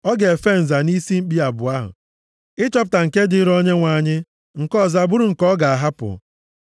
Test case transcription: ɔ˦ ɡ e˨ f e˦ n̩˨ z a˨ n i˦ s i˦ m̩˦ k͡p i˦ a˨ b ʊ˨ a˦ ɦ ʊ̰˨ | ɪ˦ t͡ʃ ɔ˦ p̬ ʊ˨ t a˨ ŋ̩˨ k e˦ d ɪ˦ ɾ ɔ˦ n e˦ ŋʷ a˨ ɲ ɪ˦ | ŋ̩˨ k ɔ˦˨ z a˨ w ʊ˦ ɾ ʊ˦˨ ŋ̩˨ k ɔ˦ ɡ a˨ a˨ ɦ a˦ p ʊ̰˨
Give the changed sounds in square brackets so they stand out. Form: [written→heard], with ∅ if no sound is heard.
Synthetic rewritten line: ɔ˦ ɡ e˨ f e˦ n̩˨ z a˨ n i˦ s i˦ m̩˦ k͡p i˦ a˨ b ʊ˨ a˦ ɦ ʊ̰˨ | ɪ˦ t͡ʃ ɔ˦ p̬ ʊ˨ t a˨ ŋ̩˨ k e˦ d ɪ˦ ɾ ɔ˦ [n→ɲ] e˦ ŋʷ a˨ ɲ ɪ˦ | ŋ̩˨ k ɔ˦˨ z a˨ [w→b] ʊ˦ ɾ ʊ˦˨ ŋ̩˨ k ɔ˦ ɡ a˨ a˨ ɦ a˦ p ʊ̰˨